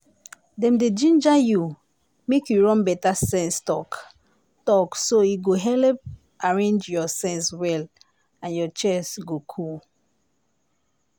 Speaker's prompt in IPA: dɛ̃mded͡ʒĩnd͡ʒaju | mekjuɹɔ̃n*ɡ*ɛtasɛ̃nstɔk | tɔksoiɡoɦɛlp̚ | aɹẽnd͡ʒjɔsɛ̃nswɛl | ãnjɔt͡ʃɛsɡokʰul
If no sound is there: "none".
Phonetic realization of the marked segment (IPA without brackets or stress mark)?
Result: b